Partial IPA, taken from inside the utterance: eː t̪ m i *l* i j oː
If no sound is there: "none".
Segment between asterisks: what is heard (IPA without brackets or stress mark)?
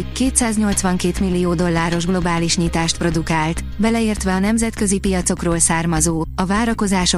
lː